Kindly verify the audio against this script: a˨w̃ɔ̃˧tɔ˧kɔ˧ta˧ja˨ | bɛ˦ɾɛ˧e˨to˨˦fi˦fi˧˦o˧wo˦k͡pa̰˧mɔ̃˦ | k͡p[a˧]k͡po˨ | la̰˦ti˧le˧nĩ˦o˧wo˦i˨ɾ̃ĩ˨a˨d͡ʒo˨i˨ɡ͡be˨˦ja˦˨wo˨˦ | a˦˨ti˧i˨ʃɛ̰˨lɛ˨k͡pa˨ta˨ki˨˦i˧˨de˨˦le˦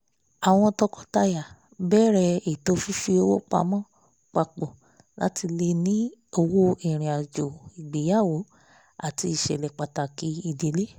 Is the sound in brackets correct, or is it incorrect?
correct